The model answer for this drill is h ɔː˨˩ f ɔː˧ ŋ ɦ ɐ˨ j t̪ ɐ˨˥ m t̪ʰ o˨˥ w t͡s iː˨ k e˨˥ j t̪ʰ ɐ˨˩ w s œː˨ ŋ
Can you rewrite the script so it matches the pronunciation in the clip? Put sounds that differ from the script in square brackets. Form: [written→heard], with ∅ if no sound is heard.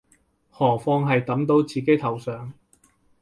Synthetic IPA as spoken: h ɔː˨˩ f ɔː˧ ŋ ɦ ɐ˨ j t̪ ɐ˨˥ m [t̪ʰ→t̪] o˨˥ w t͡s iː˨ k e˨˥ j t̪ʰ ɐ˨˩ w s œː˨ ŋ